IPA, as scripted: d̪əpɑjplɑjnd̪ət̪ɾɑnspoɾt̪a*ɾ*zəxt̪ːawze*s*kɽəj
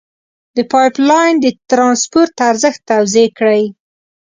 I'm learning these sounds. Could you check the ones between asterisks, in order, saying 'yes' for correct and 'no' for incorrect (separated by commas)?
yes, no